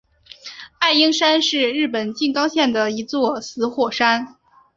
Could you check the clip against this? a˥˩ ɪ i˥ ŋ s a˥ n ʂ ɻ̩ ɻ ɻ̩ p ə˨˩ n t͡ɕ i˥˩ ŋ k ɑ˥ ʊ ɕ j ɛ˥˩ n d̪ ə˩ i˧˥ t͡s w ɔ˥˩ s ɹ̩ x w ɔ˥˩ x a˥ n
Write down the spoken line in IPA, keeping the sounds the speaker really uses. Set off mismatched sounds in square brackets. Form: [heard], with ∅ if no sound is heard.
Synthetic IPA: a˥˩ ɪ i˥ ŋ [ʂ] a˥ n ʂ ɻ̩ ɻ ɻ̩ p ə˨˩ n t͡ɕ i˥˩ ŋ k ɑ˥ ʊ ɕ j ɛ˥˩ n d̪ ə˩ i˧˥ t͡s w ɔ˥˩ s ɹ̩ x w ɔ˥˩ [ʂ] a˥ n

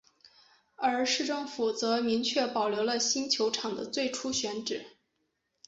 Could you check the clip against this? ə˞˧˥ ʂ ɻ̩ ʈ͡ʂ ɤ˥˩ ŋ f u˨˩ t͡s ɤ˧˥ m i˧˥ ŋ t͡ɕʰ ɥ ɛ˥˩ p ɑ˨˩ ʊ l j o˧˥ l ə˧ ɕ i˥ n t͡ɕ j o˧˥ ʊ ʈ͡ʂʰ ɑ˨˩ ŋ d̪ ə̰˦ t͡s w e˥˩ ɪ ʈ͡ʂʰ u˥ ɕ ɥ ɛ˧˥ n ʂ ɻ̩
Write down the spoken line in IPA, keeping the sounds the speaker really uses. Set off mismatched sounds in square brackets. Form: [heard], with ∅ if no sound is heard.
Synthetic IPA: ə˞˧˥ ʂ ɻ̩ ʈ͡ʂ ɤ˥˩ ŋ f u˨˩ t͡s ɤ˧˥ m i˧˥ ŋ t͡ɕʰ ɥ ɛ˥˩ p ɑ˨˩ ʊ l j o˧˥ l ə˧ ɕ i˥ n [t͡ɕʰ] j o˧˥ ʊ ʈ͡ʂʰ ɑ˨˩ ŋ d̪ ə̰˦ t͡s w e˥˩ ɪ ʈ͡ʂʰ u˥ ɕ ɥ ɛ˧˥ n [ʈ͡ʂ] ɻ̩

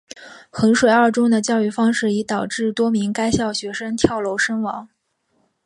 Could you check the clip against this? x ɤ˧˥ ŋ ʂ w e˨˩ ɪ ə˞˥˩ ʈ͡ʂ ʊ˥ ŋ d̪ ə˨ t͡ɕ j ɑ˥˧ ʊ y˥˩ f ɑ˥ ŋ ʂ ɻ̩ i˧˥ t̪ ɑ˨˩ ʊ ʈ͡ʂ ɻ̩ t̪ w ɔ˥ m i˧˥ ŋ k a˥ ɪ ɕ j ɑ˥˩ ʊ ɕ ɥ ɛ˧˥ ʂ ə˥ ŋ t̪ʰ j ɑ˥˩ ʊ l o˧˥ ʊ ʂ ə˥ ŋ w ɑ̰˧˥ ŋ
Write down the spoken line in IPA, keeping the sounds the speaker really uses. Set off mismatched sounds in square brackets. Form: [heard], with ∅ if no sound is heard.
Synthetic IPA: x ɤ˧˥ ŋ ʂ w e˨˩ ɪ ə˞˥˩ ʈ͡ʂ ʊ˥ ŋ d̪ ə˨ t͡ɕ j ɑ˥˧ ʊ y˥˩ f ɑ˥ ŋ ʂ ɻ̩ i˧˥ t̪ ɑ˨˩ ʊ ʈ͡ʂ ɻ̩ t̪ w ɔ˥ m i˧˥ ŋ k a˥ ɪ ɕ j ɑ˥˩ ʊ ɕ ɥ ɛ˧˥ ʂ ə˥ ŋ t̪ʰ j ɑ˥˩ ʊ l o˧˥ ʊ ʂ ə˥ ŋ w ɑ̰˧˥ ŋ

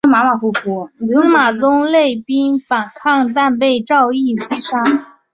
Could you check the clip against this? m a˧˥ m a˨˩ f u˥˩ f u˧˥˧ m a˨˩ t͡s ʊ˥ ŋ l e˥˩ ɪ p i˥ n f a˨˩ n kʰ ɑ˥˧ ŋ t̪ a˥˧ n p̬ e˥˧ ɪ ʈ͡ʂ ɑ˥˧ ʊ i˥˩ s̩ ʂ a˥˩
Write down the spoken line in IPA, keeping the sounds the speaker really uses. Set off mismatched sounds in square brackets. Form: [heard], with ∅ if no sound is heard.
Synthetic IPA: m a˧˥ m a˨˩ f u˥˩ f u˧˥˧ m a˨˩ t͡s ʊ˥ ŋ l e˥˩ ɪ p i˥ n f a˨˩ n kʰ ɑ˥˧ ŋ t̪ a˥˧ n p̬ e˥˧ ɪ ʈ͡ʂ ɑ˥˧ ʊ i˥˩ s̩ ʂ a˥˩

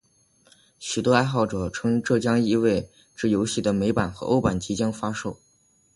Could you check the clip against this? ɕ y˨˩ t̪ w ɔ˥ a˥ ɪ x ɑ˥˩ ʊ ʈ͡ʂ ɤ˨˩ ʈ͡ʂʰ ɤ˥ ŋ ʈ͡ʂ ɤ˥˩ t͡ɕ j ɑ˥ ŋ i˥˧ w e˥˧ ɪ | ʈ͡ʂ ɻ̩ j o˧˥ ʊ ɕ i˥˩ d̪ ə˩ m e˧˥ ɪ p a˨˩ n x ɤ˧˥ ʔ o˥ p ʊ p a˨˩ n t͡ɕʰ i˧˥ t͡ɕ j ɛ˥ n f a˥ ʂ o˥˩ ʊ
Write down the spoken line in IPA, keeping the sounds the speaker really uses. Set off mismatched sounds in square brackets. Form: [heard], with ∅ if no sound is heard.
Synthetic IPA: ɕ y˨˩ t̪ w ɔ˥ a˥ ɪ x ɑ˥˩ ʊ ʈ͡ʂ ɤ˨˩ ʈ͡ʂʰ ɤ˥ ŋ ʈ͡ʂ ɤ˥˩ t͡ɕ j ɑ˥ ŋ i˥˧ w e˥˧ ɪ | ʈ͡ʂ ɻ̩ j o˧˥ ʊ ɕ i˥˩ d̪ ə˩ m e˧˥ ɪ p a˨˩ n x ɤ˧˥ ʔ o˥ [∅] ʊ p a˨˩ n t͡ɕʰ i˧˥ t͡ɕ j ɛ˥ n f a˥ ʂ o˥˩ ʊ

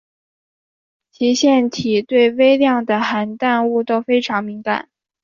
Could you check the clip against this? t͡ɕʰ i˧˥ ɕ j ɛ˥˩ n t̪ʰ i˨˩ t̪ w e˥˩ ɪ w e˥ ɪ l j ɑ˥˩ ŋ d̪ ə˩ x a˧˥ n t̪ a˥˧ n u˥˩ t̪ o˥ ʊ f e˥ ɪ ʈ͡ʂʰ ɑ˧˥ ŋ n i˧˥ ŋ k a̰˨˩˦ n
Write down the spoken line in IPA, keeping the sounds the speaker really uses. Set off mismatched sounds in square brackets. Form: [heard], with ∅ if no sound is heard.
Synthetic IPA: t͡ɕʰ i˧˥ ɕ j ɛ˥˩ n t̪ʰ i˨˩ t̪ w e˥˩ ɪ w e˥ ɪ l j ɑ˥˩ ŋ d̪ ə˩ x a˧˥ n t̪ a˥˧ n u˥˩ t̪ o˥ ʊ f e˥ ɪ ʈ͡ʂʰ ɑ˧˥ ŋ [m] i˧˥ ŋ k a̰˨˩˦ n

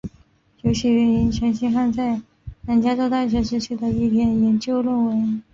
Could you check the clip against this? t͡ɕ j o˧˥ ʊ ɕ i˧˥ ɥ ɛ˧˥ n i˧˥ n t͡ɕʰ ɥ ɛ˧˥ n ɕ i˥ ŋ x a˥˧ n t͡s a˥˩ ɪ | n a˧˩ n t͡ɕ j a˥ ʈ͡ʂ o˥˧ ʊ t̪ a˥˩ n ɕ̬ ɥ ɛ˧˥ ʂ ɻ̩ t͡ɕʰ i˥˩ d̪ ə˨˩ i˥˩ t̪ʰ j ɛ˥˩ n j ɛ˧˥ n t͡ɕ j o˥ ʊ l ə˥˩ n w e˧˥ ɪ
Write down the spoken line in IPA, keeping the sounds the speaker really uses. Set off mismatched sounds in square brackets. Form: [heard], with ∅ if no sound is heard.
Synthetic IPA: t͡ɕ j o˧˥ ʊ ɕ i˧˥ ɥ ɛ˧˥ n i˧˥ n t͡ɕʰ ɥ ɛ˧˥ n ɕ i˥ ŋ x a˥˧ n t͡s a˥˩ ɪ | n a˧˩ n t͡ɕ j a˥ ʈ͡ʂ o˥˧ ʊ t̪ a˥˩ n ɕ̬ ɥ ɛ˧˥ ʂ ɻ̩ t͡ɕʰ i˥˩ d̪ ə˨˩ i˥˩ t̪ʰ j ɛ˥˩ n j ɛ˧˥ n t͡ɕ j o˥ ʊ l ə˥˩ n w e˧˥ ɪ

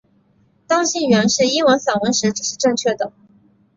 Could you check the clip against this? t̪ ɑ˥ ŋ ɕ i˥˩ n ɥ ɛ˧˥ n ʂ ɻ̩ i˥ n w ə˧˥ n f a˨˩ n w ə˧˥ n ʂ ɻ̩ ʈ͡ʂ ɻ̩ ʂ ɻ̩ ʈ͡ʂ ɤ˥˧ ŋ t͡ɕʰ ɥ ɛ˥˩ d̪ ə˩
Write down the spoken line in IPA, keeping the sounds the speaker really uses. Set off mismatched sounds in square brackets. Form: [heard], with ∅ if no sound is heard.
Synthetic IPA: t̪ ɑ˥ ŋ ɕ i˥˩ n ɥ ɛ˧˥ n ʂ ɻ̩ i˥ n w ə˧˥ n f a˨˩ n w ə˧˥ n ʂ ɻ̩ ʈ͡ʂ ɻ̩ ʂ ɻ̩ ʈ͡ʂ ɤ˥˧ ŋ t͡ɕʰ ɥ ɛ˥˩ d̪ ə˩

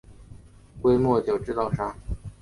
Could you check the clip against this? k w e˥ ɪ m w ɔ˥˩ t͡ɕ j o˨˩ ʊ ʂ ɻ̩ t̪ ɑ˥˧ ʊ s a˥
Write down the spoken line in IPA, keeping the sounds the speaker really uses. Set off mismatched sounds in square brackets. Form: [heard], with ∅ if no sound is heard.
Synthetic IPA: k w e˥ ɪ m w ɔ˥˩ t͡ɕ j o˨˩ ʊ [ʈ͡ʂ] ɻ̩ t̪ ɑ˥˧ ʊ [ʂ] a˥

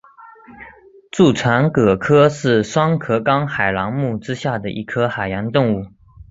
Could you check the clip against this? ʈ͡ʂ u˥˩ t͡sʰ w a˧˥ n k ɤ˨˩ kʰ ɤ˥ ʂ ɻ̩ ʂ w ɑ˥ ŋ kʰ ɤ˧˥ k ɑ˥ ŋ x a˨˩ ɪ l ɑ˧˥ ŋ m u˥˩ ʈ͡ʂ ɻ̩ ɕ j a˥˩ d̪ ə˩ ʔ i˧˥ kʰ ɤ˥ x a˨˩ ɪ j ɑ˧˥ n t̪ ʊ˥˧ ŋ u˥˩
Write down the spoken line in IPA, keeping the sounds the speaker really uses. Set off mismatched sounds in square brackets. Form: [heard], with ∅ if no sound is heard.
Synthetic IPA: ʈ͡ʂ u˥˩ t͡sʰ w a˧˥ n k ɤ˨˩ kʰ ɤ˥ ʂ ɻ̩ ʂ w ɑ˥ ŋ kʰ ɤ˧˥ k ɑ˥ ŋ x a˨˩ ɪ l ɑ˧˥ ŋ m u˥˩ ʈ͡ʂ ɻ̩ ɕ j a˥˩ d̪ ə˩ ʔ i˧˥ kʰ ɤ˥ x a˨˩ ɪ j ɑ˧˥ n t̪ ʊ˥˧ ŋ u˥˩

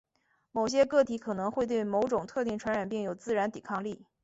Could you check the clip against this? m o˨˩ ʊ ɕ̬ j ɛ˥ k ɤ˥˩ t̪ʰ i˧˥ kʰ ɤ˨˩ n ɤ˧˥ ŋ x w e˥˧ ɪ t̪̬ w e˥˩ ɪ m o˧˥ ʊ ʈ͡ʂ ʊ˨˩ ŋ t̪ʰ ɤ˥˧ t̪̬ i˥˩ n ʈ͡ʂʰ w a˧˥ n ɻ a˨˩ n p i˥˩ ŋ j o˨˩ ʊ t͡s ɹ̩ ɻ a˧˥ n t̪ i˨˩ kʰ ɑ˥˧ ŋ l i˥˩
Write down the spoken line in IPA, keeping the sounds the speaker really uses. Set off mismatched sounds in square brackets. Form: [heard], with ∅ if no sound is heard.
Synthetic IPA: m o˨˩ ʊ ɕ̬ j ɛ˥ k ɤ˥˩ t̪ʰ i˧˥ kʰ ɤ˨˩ n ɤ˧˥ ŋ x w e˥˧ ɪ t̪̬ w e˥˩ ɪ m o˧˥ ʊ ʈ͡ʂ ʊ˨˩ ŋ t̪ʰ ɤ˥˧ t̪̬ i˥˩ [ŋ] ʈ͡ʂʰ w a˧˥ n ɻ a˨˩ n p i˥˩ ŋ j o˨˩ ʊ t͡s ɹ̩ ɻ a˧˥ n t̪ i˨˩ kʰ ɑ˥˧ ŋ l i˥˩

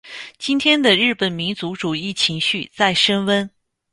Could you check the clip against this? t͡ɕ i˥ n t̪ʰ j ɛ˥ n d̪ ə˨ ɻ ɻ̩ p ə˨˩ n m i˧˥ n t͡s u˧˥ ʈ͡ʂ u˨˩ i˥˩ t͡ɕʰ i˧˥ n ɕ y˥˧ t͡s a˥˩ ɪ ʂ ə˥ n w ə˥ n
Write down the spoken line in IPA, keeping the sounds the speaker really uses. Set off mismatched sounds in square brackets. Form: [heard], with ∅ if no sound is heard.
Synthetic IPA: t͡ɕ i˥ n t̪ʰ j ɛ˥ n d̪ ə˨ ɻ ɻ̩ p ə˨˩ n m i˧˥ n t͡s u˧˥ ʈ͡ʂ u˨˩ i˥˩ t͡ɕʰ i˧˥ [ŋ] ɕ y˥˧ t͡s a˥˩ ɪ ʂ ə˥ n w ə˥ n

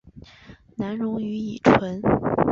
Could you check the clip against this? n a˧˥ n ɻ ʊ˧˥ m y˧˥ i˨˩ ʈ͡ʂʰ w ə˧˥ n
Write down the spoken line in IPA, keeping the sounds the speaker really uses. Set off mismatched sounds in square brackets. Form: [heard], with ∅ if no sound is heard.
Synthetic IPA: n a˧˥ n ɻ ʊ˧˥ [ŋ] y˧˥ i˨˩ ʈ͡ʂʰ w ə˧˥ n

